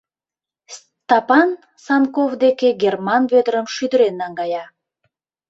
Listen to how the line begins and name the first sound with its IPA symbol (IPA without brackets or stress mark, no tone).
t̪